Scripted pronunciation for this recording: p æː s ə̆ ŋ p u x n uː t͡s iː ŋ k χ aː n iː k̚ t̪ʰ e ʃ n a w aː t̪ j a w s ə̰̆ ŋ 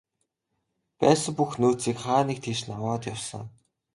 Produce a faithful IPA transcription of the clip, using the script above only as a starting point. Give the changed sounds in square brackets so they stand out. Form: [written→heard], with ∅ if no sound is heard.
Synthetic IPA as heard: p æː s ə̆ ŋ p u x n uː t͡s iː [ŋ→∅] k χ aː n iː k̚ t̪ʰ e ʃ n a w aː t̪ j a w s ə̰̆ ŋ